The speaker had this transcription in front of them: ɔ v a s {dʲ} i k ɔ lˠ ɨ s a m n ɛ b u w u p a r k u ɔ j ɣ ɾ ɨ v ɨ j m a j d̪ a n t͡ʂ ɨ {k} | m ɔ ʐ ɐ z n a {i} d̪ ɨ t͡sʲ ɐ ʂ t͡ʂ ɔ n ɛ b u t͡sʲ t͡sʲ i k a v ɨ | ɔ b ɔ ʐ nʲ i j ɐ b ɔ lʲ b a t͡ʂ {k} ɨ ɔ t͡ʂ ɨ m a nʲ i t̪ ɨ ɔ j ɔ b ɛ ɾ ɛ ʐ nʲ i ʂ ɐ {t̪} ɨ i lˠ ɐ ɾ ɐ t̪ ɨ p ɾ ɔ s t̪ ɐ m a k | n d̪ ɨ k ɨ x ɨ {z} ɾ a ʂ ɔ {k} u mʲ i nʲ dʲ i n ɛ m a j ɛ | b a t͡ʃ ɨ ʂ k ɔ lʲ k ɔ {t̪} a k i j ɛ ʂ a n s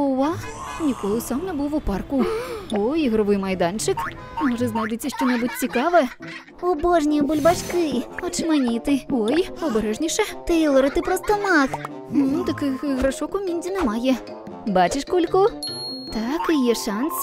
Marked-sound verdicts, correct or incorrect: incorrect, correct, incorrect, correct, correct, incorrect, correct, correct

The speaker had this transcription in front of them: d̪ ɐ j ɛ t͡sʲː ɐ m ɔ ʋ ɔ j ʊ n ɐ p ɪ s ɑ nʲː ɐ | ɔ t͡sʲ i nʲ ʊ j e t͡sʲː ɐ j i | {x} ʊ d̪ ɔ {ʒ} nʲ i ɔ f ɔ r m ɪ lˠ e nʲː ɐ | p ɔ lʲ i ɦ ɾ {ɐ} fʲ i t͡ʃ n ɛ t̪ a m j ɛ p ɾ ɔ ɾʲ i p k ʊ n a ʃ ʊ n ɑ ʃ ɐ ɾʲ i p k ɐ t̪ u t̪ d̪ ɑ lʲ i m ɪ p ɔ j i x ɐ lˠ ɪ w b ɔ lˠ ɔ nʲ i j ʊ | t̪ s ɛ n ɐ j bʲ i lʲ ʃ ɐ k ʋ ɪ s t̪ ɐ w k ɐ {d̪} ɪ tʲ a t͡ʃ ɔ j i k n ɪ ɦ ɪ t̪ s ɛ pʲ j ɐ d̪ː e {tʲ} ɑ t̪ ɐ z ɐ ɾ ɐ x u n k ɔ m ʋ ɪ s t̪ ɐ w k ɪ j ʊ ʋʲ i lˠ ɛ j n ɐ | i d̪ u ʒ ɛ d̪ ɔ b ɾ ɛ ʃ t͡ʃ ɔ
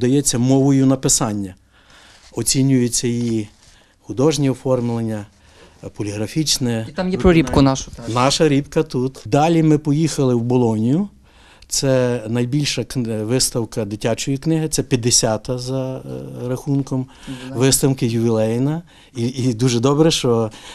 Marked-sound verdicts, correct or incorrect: correct, correct, correct, correct, incorrect

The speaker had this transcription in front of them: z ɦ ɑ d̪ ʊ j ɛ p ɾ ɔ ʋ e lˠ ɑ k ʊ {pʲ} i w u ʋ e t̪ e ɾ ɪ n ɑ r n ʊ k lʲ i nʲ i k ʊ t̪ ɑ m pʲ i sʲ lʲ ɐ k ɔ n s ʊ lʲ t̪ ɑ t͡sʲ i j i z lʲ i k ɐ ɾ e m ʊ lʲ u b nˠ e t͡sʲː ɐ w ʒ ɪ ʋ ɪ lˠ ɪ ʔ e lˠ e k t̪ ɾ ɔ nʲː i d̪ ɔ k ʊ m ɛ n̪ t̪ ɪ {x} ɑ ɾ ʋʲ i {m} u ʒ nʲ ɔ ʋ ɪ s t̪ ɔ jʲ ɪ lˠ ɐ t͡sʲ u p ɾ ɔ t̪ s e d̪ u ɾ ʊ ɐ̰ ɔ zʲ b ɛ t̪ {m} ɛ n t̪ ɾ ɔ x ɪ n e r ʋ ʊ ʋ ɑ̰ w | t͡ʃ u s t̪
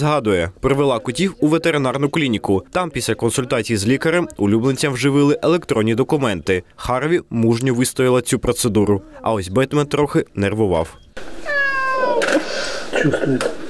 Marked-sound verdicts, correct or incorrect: incorrect, correct, correct, correct

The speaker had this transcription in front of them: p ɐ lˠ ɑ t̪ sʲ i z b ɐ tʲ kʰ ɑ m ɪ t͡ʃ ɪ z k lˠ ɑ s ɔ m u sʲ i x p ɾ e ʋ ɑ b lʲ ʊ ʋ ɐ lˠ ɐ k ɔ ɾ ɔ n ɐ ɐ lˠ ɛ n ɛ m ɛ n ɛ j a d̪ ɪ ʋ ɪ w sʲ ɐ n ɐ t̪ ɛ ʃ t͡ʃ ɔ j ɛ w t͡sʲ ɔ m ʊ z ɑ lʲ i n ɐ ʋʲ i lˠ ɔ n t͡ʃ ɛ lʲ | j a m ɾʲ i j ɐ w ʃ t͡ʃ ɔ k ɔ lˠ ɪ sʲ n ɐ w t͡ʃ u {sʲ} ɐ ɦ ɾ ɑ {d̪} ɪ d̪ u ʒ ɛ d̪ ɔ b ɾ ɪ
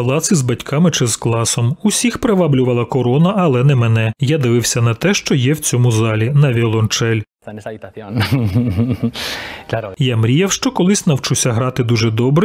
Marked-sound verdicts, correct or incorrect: correct, incorrect

